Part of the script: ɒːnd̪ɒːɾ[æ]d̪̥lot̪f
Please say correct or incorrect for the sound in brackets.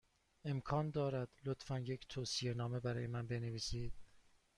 correct